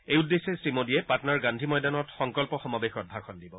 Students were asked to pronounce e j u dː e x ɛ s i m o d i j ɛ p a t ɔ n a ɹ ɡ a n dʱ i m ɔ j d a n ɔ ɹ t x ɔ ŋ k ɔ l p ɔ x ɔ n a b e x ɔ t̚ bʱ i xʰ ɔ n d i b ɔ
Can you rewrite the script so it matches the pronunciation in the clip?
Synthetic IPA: e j u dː e s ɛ s i m o d i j ɛ p a t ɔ n a ɹ ɡ a n dʱ i m ɔ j d a n ɔ t x ɔ ŋ k ɔ l p ɔ x ɔ m a b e x ɔ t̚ bʱ a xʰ ɔ n d i b ɔ